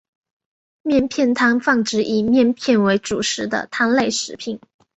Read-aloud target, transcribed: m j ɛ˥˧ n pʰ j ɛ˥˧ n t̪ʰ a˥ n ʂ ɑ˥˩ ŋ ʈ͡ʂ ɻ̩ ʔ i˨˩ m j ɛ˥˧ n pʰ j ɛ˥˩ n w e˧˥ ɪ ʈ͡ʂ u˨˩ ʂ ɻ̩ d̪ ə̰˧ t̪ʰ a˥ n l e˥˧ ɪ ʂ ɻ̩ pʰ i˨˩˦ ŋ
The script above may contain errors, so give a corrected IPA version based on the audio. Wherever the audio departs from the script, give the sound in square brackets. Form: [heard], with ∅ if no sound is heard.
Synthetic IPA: m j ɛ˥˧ n pʰ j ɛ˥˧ n t̪ʰ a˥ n [f] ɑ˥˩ ŋ ʈ͡ʂ ɻ̩ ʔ i˨˩ m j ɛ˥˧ n pʰ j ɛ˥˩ n w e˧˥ ɪ ʈ͡ʂ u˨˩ ʂ ɻ̩ d̪ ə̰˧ t̪ʰ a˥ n l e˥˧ ɪ ʂ ɻ̩ pʰ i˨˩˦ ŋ